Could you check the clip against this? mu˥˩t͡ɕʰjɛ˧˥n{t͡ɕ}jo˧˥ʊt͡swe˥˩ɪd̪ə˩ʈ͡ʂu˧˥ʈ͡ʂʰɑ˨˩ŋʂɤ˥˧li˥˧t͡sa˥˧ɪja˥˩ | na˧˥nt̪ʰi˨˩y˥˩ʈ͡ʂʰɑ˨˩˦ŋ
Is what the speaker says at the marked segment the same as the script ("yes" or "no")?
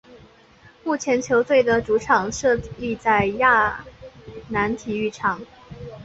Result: no